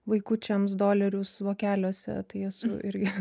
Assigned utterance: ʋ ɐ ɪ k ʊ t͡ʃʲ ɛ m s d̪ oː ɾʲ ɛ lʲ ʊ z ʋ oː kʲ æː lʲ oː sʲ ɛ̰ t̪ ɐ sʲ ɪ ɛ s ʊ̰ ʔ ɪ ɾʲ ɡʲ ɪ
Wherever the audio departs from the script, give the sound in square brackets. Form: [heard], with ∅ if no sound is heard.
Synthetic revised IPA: ʋ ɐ ɪ k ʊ t͡ʃʲ ɛ m s d̪ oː [lʲ] ɛ [ɾʲ] ʊ [s] ʋ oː kʲ æː lʲ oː sʲ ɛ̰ t̪ ɐ [∅] ɪ ɛ s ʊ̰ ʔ ɪ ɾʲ ɡʲ ɪ